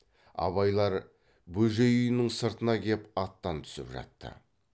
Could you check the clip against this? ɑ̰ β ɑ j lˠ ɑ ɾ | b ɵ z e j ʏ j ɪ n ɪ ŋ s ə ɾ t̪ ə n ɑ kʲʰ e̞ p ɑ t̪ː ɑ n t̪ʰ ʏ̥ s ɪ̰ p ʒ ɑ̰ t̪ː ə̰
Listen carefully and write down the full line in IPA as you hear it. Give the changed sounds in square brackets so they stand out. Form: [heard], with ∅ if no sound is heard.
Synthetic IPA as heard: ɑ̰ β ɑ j lˠ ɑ ɾ | b ɵ [ʒ] e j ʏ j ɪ n ɪ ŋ s ə ɾ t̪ ə n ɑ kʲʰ e̞ p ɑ t̪ː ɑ n t̪ʰ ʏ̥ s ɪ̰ p ʒ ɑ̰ t̪ː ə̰